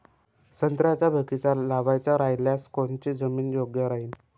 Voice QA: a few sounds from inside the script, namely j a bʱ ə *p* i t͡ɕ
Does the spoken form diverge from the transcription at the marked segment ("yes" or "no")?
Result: yes